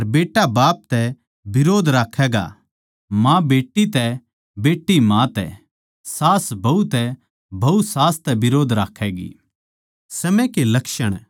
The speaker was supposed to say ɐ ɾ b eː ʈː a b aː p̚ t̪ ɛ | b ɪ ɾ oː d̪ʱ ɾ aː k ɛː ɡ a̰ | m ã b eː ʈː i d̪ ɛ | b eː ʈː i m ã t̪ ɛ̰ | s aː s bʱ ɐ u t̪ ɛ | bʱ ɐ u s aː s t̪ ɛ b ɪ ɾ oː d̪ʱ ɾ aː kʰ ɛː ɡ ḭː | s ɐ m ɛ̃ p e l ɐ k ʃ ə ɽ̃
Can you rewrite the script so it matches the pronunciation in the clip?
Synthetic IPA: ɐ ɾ b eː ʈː a b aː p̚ t̪ ɛ | b ɪ ɾ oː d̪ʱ ɾ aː kʰ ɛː ɡ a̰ | m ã b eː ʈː i t̪ ɛ | b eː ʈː i m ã t̪ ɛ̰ | s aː s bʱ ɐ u t̪ ɛ | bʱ ɐ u s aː s t̪ ɛ b ɪ ɾ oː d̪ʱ ɾ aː kʰ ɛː ɡ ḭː | s ɐ m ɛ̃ k e l ɐ k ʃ ə ɽ̃